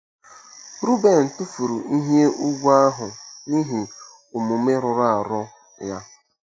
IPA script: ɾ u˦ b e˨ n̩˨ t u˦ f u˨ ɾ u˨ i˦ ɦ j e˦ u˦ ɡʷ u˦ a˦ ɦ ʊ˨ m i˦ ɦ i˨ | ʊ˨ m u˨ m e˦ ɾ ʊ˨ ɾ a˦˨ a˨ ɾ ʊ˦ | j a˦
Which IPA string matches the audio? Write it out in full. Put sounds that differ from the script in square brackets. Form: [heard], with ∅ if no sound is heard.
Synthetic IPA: ɾ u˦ b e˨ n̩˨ t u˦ f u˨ ɾ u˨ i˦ ɦ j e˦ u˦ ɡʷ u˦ a˦ ɦ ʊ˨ [n] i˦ ɦ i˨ | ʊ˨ m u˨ m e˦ ɾ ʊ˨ ɾ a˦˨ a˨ ɾ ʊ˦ | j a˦

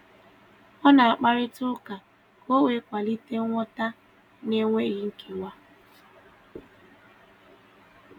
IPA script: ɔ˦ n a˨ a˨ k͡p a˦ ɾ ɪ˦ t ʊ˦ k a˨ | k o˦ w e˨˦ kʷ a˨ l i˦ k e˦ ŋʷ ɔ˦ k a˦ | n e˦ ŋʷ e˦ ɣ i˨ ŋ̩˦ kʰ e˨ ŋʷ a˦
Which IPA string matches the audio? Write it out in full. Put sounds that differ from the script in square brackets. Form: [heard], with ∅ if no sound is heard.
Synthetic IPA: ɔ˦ n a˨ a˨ k͡p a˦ ɾ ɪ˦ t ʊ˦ k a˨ | k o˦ w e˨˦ kʷ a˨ l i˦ [t] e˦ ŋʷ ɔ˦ [t] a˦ | n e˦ ŋʷ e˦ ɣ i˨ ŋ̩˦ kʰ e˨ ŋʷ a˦

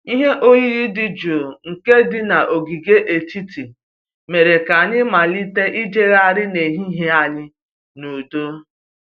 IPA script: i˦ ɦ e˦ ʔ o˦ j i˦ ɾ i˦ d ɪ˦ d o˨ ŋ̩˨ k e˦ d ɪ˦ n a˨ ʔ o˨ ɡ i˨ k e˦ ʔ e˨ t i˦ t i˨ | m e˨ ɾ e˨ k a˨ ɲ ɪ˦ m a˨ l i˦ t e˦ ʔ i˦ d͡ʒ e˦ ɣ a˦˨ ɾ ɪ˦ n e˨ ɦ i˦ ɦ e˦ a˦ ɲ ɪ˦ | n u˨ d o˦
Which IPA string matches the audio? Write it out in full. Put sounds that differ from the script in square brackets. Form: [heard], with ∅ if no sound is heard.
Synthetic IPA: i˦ ɦ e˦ ʔ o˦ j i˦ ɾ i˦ d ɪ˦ [d͡ʒ] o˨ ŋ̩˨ k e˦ d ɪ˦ n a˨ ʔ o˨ ɡ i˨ [ɡ] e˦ ʔ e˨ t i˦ t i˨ | m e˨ ɾ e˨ k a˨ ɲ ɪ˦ m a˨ l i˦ t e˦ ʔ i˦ d͡ʒ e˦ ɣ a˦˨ ɾ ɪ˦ n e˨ ɦ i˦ ɦ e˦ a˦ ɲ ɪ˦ | n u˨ d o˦

